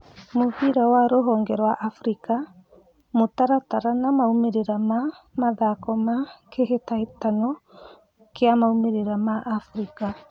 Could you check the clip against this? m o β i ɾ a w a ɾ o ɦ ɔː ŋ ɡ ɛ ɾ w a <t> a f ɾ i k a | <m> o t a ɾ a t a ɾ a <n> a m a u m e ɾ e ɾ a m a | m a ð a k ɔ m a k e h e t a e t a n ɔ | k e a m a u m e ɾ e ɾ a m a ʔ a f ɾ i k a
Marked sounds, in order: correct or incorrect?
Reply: incorrect: ʔ, correct, correct

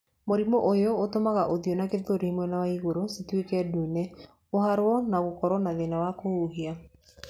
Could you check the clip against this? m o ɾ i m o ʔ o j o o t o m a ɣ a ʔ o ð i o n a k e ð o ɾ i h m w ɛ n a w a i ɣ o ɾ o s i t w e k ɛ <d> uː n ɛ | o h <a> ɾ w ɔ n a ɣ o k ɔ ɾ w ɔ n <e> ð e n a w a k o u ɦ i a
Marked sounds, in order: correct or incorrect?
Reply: correct, correct, incorrect: a

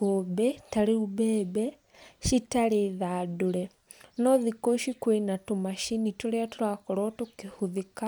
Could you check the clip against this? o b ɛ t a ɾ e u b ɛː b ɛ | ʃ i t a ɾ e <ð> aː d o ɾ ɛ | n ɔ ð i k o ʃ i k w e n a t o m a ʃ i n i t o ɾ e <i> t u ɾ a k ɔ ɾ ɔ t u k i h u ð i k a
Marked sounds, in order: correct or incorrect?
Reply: correct, incorrect: a

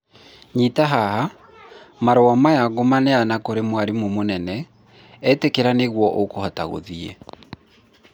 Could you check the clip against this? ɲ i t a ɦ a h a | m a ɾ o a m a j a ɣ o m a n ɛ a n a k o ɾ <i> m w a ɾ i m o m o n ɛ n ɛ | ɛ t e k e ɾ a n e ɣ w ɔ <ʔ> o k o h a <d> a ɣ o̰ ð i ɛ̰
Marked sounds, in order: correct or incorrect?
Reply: incorrect: e, correct, incorrect: t

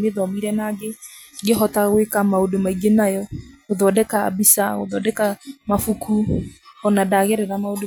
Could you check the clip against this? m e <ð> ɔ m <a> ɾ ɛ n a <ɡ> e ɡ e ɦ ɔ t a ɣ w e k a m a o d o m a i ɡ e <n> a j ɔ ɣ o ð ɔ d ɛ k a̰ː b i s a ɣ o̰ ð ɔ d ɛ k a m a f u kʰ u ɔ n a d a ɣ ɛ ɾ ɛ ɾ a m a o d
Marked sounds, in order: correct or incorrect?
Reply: correct, incorrect: i, correct, correct

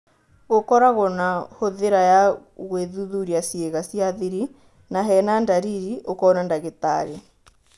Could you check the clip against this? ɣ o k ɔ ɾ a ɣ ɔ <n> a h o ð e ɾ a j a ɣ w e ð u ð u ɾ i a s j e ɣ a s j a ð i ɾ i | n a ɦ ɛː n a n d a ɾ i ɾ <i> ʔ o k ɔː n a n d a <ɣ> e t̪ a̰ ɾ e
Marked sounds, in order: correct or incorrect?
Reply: correct, correct, correct

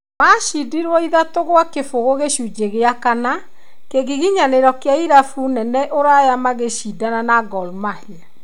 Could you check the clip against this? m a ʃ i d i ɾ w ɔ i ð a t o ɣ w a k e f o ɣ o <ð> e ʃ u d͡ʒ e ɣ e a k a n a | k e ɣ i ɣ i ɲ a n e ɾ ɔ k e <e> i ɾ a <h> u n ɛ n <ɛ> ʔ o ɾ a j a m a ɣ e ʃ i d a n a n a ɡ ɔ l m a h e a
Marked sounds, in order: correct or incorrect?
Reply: incorrect: ɣ, incorrect: a, incorrect: f, correct

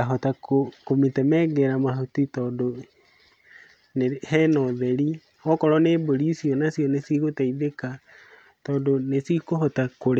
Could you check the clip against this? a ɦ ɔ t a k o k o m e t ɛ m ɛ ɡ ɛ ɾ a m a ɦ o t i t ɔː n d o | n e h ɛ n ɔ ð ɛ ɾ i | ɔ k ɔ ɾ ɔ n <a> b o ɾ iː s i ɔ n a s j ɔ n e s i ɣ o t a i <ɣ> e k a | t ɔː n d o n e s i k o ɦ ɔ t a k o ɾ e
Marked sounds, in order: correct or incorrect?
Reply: incorrect: e, incorrect: ð

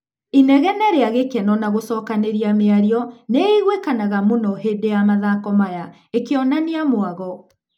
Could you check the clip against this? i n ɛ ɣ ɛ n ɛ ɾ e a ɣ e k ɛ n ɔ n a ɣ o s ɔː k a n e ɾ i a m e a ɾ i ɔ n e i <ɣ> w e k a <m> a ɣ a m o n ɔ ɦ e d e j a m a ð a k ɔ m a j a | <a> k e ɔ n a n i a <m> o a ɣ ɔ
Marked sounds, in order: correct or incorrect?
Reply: correct, incorrect: n, incorrect: e, correct

